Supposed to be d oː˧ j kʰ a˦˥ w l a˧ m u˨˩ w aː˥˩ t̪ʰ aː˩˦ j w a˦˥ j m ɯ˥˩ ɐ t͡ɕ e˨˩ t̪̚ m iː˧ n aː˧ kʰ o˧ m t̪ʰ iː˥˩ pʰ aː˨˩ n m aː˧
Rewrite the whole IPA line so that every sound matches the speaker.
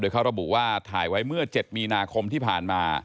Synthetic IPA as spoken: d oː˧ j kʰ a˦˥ w ɾ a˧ b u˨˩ w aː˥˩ t̪ʰ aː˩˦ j w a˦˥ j m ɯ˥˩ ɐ t͡ɕ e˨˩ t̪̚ m iː˧ n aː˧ kʰ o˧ m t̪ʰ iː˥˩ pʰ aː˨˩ n m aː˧